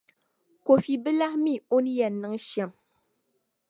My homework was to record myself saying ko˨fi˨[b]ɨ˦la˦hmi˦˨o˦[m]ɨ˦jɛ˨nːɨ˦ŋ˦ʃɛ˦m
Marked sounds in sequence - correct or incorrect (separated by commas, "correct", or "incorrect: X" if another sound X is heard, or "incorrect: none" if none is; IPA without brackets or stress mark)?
correct, incorrect: n